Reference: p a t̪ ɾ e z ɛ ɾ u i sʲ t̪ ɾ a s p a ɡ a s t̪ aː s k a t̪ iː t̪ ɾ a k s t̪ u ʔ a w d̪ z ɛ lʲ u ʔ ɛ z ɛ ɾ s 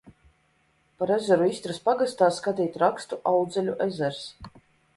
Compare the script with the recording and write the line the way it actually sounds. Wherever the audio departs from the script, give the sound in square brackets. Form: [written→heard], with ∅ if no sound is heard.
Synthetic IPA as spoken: p a [t̪→∅] ɾ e z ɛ ɾ u i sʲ t̪ ɾ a s p a ɡ a s t̪ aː s k a t̪ iː t̪ ɾ a k s t̪ u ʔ a w d̪ z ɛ lʲ u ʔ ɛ z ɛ ɾ s